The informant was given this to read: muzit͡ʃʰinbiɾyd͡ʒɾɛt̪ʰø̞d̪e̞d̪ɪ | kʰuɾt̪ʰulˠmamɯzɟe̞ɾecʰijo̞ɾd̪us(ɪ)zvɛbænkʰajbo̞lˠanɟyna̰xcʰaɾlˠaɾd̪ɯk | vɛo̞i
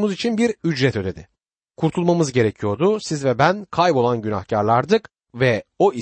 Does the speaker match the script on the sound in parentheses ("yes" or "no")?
no